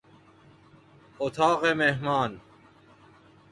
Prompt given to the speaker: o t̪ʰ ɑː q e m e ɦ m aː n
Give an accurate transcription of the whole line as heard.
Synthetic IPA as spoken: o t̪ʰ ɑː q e m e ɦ m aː n